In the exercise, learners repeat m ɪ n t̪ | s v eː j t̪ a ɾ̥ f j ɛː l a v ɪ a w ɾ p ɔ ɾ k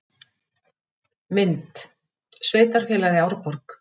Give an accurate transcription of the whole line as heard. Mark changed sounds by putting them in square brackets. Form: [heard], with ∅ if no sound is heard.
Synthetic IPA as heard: m ɪ n t̪ | s v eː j t̪ a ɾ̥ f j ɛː l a [ð] ɪ a w ɾ p ɔ ɾ k